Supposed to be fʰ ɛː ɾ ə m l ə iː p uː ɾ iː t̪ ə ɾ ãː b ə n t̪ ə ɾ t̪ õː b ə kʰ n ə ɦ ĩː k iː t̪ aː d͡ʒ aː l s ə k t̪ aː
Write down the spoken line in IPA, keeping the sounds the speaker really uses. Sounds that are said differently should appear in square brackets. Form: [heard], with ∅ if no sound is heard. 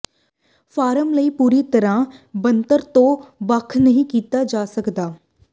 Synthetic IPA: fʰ [aː] ɾ ə m l ə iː p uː ɾ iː t̪ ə ɾ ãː b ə n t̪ ə ɾ t̪ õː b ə kʰ n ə ɦ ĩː k iː t̪ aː d͡ʒ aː [∅] s ə k [d̪] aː